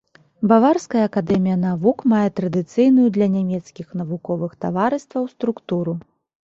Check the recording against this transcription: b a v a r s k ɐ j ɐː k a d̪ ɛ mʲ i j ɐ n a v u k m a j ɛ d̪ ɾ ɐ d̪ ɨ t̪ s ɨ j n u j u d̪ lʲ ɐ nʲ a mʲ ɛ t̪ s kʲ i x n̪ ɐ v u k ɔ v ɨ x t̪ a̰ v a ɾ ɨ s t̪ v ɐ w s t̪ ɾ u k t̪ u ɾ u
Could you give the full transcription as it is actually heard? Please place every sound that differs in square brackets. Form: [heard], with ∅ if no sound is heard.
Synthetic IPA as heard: b a v a r s k ɐ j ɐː k a d̪ ɛ mʲ i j ɐ n a v u k m a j ɛ [t̪] ɾ ɐ d̪ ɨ t̪ s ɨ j n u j u d̪ lʲ ɐ nʲ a mʲ ɛ t̪ s kʲ i x n̪ ɐ v u k ɔ v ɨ x t̪ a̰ v a ɾ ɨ s t̪ v ɐ w s t̪ ɾ u k t̪ u ɾ u